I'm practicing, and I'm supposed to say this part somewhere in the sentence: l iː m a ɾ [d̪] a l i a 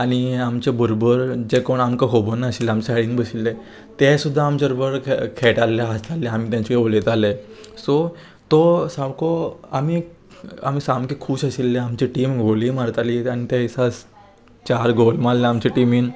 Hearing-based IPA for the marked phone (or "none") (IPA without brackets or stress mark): t̪